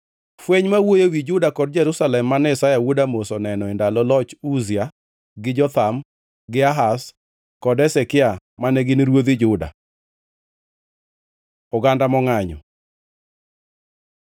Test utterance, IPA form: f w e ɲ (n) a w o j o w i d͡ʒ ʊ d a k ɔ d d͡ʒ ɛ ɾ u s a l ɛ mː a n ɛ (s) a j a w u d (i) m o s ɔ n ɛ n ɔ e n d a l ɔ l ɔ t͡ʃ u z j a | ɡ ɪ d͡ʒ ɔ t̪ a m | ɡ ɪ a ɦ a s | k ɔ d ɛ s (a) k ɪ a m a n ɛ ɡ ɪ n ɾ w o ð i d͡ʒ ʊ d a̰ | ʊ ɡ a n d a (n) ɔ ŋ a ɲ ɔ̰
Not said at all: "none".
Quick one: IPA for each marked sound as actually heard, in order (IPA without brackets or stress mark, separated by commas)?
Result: m, s, a, ɛ, m